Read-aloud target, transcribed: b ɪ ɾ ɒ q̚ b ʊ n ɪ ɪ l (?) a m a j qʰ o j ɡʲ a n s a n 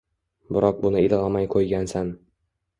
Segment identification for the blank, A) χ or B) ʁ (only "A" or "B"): B